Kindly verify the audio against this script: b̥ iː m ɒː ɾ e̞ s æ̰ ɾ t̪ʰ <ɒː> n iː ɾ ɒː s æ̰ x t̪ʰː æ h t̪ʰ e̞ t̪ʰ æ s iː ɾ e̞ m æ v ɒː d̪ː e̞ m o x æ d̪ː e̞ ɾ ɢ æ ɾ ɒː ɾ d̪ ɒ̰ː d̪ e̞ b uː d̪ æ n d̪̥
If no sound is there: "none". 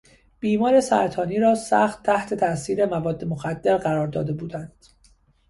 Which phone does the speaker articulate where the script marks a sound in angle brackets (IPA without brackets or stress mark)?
ɒː